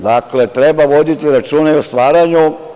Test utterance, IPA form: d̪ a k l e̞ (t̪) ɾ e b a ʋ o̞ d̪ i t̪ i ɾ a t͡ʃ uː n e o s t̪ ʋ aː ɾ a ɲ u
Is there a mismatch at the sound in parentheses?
no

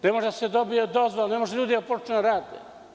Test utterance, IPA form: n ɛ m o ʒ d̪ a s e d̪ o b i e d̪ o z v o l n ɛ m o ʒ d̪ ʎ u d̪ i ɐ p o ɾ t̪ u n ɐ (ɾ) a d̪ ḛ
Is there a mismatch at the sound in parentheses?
no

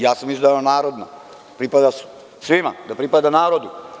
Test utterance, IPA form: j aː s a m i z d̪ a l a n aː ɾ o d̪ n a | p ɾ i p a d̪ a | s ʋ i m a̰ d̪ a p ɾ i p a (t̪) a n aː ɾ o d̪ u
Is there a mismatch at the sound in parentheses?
yes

